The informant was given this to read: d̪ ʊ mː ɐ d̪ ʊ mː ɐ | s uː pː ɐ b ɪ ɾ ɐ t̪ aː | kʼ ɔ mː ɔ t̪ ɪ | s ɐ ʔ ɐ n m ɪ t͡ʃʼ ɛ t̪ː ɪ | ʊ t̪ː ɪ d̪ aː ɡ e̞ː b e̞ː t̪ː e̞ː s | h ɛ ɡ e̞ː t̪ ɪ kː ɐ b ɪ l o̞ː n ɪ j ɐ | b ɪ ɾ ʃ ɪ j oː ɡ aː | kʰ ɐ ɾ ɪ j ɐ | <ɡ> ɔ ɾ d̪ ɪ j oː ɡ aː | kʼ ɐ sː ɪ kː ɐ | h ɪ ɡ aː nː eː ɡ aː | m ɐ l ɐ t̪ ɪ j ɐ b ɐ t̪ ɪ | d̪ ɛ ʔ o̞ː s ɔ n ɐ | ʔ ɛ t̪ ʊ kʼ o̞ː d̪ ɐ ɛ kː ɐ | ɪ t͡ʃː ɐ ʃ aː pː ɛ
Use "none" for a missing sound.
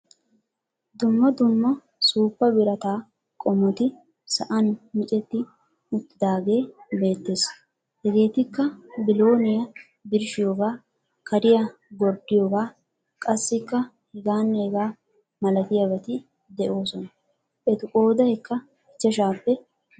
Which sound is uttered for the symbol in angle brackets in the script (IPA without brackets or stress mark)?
ɡ